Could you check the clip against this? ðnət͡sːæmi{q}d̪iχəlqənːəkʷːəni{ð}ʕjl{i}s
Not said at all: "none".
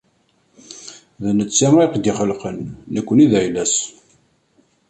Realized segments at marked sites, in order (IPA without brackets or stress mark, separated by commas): q, ð, æ